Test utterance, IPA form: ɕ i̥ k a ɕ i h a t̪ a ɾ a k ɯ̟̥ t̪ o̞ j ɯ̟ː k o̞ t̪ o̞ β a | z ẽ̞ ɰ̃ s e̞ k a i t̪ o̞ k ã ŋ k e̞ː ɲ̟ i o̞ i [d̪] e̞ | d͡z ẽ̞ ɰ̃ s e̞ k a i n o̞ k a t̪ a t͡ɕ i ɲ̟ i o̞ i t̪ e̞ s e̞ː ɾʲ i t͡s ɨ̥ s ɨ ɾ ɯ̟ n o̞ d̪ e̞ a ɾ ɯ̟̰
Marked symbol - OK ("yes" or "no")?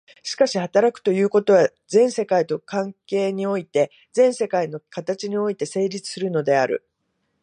no